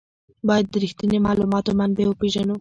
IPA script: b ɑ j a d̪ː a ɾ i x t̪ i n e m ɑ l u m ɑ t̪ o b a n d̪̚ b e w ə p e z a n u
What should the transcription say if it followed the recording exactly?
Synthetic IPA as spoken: b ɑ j a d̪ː ə ɾ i x t̪ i n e m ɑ l u m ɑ t̪ o m a n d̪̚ b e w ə p e ʒ a n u